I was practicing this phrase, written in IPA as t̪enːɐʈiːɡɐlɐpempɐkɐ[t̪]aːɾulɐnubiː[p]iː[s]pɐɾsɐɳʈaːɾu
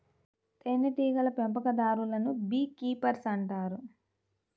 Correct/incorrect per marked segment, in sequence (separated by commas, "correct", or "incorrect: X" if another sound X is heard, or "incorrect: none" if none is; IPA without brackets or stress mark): incorrect: d̪, incorrect: k, incorrect: none